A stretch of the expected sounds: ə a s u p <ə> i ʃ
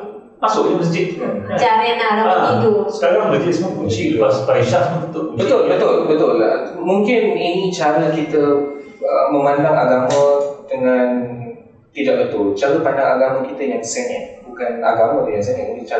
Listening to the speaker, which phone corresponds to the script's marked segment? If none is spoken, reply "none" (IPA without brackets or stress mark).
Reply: a